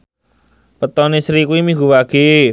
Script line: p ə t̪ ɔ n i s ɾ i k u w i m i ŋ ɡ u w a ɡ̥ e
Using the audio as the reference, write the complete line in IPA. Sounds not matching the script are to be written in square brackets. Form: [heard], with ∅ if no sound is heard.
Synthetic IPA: p ə t̪ ɔ n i s ɾ i k u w i m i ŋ ɡ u w a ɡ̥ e